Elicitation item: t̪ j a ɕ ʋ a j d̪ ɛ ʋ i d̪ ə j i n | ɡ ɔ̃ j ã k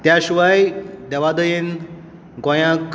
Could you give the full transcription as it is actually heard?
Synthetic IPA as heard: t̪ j a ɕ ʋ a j d̪ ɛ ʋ a d̪ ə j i n | ɡ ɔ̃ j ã k